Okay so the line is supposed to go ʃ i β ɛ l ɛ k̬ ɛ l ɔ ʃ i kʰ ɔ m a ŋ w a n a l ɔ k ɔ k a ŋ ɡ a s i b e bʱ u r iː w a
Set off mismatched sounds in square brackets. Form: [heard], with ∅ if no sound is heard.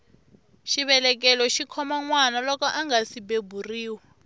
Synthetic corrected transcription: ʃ i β ɛ l ɛ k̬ ɛ l ɔ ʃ i kʰ ɔ m a ŋ w a n a l ɔ k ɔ [ʔ] a ŋ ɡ a s i b e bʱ u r iː w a